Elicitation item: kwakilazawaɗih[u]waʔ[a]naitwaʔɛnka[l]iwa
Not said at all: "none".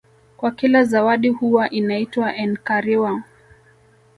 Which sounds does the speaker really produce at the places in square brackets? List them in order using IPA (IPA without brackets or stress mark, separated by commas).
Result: u, i, ɾ